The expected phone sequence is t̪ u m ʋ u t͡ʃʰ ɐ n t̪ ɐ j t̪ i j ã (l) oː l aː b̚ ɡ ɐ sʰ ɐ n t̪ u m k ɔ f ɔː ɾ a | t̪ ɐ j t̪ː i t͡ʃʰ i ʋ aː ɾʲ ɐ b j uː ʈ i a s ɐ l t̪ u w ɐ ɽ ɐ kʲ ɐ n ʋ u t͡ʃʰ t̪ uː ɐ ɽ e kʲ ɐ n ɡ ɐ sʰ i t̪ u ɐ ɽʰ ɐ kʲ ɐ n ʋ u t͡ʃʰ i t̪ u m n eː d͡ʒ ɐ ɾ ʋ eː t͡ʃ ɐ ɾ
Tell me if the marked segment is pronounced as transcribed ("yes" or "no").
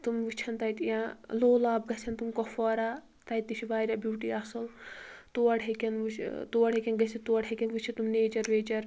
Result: yes